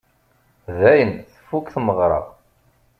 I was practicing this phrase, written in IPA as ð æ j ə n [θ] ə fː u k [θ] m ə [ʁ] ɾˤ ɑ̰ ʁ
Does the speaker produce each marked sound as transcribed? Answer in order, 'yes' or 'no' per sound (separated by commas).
yes, yes, yes